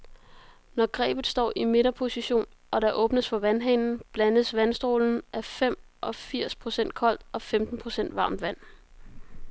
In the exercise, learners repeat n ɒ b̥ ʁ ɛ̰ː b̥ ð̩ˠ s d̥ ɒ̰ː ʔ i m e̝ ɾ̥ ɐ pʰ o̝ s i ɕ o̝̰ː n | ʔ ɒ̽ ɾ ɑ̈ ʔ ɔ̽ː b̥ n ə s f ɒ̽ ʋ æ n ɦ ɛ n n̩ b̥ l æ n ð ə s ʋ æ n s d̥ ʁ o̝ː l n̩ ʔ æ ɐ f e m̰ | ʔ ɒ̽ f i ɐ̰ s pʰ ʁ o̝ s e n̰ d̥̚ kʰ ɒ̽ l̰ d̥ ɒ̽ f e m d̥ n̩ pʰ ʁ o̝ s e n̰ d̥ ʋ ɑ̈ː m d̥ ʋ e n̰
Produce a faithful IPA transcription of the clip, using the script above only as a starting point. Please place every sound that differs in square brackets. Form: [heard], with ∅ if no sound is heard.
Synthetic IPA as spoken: n ɒ [ɡ̥] ʁ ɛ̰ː b̥ ð̩ˠ s d̥ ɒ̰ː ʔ i m e̝ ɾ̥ ɐ pʰ o̝ s i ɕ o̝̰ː n | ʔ ɒ̽ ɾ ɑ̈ ʔ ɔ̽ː b̥ n ə s f ɒ̽ ʋ æ n ɦ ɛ n n̩ b̥ l æ n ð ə s ʋ æ n s d̥ ʁ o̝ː l n̩ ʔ æ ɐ f e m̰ | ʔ ɒ̽ f i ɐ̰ s pʰ ʁ o̝ s e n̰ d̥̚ kʰ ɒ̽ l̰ d̥ ɒ̽ f e m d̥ n̩ pʰ ʁ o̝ s e n̰ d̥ ʋ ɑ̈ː m d̥ ʋ [æ] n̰